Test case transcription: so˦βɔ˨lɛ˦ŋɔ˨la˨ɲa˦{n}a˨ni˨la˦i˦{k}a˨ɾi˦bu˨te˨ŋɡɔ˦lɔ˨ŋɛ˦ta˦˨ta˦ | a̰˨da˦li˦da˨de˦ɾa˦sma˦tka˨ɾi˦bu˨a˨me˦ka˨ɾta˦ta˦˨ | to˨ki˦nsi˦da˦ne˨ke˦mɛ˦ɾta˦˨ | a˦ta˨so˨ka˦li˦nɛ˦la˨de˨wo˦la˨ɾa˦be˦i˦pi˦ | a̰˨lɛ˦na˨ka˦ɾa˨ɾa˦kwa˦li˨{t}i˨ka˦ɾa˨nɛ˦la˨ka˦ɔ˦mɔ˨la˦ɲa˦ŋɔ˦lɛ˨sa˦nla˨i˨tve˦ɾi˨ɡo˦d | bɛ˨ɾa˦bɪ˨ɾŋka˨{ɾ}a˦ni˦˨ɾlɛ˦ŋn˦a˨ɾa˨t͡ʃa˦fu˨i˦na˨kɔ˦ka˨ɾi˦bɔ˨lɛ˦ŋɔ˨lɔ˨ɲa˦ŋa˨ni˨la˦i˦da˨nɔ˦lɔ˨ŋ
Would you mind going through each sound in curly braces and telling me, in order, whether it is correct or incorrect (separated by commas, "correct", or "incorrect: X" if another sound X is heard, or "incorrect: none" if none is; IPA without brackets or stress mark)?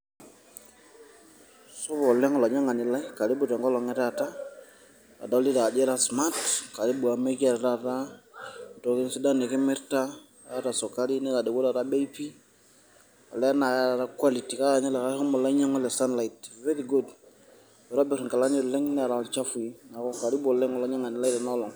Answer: incorrect: ŋ, correct, correct, incorrect: l